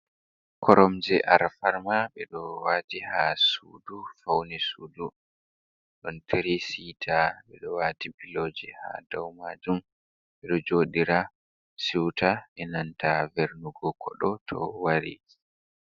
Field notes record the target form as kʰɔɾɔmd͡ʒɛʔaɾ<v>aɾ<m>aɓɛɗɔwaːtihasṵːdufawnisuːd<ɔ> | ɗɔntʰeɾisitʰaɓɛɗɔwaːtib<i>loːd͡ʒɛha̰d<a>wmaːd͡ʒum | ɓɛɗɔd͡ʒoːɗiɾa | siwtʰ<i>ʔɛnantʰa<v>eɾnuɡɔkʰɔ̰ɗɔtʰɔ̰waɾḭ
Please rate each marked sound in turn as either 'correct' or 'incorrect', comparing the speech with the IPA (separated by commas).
incorrect, correct, incorrect, correct, correct, incorrect, correct